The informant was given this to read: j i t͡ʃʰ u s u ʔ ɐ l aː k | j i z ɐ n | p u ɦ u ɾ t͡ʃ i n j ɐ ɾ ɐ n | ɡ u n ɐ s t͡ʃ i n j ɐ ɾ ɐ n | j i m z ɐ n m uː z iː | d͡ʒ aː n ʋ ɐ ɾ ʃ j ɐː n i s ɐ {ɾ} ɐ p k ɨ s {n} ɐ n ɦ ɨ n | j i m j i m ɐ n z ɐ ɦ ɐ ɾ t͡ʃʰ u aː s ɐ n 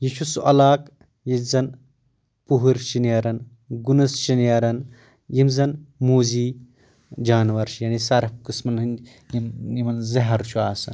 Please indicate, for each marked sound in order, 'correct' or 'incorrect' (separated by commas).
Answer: correct, incorrect